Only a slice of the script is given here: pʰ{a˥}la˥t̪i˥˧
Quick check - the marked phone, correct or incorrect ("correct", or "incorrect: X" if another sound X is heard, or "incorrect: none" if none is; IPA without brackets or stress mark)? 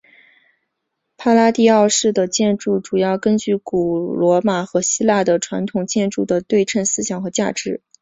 correct